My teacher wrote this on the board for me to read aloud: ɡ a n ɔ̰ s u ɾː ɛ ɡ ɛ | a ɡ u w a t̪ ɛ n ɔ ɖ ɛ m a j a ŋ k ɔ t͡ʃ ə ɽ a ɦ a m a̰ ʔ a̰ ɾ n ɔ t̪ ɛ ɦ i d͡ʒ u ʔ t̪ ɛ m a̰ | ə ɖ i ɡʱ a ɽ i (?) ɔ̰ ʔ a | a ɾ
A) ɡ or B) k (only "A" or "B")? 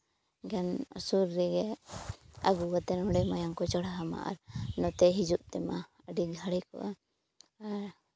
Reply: B